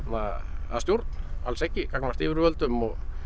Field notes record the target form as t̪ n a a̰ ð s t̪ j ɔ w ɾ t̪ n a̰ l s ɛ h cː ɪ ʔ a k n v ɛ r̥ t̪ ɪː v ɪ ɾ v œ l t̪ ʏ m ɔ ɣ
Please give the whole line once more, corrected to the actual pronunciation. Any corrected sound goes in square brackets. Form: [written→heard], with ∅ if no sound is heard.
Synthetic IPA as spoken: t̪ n a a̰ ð s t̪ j [ɔ→o] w ɾ t̪ n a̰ l s ɛ h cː ɪ [ʔ→k] a k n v [ɛ→a] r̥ t̪ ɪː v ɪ ɾ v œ l t̪ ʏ m ɔ ɣ